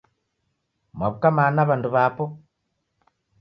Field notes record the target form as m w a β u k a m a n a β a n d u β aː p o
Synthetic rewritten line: m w a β u k a m a n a β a n d u β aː p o